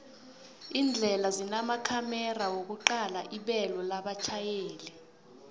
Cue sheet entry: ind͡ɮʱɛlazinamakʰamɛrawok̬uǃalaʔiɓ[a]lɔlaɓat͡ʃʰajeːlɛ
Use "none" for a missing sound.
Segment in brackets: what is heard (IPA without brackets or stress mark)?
ɛ